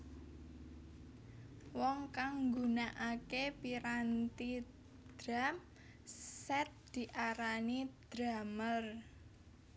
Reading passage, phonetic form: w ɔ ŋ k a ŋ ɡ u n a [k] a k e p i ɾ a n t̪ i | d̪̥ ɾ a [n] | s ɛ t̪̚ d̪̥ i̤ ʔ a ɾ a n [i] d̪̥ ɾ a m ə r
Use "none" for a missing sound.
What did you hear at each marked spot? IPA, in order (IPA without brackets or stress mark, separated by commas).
ʔ, m, i